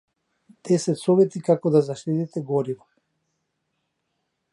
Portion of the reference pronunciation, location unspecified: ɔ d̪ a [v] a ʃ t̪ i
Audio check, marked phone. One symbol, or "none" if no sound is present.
z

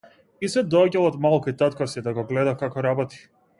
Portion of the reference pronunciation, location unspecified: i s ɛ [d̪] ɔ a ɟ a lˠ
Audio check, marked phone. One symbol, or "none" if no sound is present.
d̪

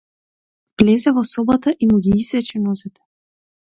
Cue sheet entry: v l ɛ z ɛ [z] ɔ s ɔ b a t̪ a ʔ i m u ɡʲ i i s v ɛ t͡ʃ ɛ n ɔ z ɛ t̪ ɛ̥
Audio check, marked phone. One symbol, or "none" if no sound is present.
v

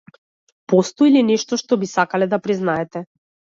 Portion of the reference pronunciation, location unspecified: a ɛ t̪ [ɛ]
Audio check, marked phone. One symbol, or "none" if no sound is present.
ɛ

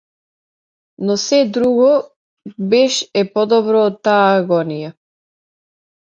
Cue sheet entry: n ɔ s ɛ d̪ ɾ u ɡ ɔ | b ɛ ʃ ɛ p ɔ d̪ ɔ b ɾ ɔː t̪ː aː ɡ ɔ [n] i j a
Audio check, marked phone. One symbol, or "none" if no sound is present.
n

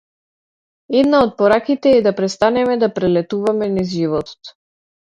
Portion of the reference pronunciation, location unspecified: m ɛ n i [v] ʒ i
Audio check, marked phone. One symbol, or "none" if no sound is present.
z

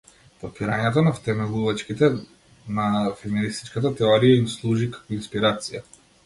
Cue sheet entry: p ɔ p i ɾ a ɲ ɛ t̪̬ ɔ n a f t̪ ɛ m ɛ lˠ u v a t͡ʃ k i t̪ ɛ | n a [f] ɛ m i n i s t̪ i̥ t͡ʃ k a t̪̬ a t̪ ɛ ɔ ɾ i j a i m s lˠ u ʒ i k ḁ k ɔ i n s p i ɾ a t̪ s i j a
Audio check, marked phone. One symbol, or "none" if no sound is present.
f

